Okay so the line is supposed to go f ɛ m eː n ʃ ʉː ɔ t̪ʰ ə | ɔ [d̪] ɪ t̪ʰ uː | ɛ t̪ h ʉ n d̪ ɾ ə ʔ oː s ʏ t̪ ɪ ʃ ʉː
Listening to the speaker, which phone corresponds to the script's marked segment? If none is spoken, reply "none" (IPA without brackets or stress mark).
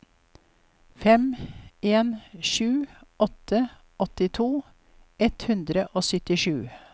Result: t̪